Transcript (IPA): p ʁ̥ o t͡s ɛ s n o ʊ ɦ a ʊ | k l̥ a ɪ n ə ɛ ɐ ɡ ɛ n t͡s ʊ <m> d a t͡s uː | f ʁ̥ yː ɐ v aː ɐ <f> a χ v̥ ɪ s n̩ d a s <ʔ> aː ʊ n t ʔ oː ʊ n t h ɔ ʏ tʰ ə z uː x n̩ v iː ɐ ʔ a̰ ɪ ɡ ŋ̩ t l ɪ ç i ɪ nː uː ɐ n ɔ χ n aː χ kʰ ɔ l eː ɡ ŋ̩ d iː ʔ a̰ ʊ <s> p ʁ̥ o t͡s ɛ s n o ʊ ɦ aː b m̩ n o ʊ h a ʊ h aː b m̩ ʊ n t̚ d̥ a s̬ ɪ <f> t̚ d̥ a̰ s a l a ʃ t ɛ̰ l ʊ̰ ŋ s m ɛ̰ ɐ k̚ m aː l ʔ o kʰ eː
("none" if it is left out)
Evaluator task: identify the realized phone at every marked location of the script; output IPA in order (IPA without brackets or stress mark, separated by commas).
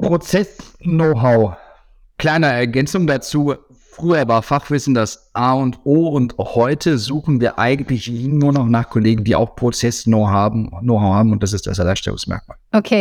ŋ, f, ʔ, x, s